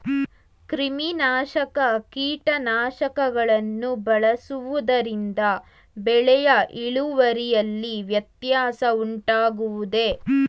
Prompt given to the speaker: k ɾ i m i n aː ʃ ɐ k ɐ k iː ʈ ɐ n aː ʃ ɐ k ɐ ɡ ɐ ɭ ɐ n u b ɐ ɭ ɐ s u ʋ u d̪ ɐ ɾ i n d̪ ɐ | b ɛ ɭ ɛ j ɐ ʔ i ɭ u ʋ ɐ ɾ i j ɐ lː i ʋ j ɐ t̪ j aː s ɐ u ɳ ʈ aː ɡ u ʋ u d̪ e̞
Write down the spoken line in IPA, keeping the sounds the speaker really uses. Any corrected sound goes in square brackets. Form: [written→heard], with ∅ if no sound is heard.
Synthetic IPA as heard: k ɾ i m i n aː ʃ ɐ k ɐ k iː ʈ ɐ n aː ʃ ɐ k ɐ ɡ ɐ ɭ ɐ [n→nː] u b ɐ ɭ ɐ s u ʋ u d̪ ɐ ɾ i n d̪ ɐ | b ɛ ɭ ɛ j ɐ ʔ i ɭ u ʋ ɐ ɾ i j ɐ lː i ʋ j ɐ t̪ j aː s ɐ u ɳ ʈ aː ɡ u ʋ u d̪ e̞